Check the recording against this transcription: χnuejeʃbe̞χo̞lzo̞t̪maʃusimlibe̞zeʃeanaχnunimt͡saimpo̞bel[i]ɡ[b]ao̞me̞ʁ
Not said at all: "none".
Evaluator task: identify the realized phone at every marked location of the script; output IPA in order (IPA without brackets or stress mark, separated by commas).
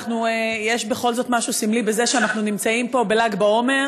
a, b